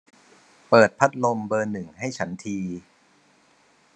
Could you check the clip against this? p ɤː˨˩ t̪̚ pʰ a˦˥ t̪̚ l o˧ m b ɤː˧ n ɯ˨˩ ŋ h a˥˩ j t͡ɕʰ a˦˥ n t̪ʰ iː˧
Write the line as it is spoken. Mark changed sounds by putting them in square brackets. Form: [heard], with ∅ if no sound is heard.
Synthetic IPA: p ɤː˨˩ t̪̚ pʰ a˦˥ t̪̚ l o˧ m b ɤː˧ n ɯ˨˩ ŋ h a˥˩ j t͡ɕʰ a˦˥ n t̪ʰ iː˧